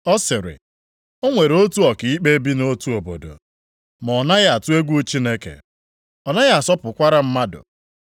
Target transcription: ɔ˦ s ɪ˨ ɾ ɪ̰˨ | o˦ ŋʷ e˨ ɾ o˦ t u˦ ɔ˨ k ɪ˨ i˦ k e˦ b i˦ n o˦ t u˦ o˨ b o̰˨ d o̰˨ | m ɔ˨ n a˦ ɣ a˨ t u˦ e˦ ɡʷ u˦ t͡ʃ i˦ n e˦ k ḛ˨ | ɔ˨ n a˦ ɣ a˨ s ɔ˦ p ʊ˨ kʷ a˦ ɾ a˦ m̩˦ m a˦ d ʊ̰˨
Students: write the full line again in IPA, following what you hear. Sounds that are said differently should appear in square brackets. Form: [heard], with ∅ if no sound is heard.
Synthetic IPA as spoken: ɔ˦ s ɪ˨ ɾ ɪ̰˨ | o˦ ŋʷ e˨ ɾ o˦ t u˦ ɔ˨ k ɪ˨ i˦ [k͡p] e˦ b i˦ n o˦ t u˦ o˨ b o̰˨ d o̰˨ | m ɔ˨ n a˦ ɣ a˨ t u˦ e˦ ɡʷ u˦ t͡ʃ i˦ n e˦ k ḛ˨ | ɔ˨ n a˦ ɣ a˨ s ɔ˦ p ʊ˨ kʷ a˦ ɾ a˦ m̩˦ m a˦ d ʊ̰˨